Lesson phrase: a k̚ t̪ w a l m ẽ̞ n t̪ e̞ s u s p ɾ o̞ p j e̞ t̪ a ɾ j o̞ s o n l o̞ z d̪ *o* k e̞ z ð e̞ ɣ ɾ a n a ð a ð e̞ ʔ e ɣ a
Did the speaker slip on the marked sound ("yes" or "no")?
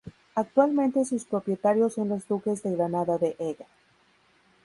yes